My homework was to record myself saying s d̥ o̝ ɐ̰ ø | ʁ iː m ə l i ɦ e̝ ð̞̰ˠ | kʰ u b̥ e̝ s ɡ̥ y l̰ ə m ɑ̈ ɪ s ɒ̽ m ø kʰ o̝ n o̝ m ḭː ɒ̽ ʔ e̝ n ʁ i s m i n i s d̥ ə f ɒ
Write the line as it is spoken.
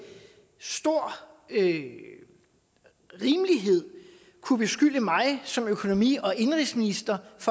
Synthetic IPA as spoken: s d̥ o̝ ɐ̰ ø | ʁ iː m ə l i ɦ e̝ ð̞̰ˠ | kʰ u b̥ e̝ s ɡ̥ y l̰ ə m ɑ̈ ɪ s ɒ̽ m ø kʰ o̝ n o̝ m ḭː ɒ̽ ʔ e̝ n ʁ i s m i n i s d̥ ɐ f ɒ